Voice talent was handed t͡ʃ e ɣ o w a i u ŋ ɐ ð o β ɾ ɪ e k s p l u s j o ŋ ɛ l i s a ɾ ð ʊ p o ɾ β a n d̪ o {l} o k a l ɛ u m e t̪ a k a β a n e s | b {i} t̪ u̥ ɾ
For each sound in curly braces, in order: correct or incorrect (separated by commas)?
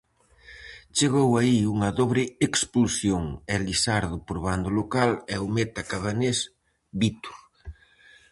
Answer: correct, correct